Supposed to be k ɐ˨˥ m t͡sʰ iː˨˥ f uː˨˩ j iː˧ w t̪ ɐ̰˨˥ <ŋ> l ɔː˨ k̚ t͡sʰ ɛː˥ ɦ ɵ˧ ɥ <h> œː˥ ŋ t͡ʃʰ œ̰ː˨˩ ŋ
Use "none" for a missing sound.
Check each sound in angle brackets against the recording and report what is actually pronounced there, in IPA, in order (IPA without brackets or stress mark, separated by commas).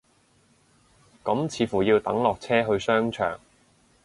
ŋ, s